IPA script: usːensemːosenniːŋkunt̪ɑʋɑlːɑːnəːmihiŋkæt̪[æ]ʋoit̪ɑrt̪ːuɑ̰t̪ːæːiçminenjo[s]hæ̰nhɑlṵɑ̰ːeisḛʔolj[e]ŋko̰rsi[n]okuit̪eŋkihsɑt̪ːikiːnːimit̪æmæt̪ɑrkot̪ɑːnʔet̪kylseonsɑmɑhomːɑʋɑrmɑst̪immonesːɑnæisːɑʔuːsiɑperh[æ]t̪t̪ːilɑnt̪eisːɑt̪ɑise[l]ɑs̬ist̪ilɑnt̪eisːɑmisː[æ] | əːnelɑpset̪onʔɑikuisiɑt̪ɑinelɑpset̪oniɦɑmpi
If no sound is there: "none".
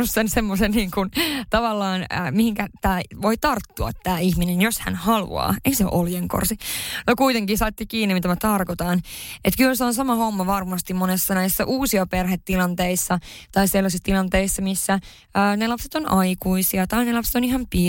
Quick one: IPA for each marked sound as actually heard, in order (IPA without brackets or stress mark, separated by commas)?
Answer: æː, s, e, n, e, lː, æ